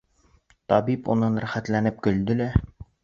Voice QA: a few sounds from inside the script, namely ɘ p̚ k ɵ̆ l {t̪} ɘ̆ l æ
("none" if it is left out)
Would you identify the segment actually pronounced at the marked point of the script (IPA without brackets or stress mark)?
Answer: d̪